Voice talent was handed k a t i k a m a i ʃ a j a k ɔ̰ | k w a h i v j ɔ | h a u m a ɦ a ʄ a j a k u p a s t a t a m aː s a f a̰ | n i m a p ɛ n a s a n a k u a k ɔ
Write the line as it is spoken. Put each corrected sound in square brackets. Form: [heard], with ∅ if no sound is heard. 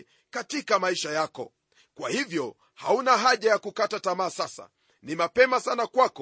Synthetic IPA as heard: k a t i k a m a i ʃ a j a k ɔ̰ | k w a h i v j ɔ | h a u [n] a ɦ a ʄ a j a k u [k] a [∅] t a t a m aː s a [s] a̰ | n i m a p ɛ [m] a s a n a k [w] a k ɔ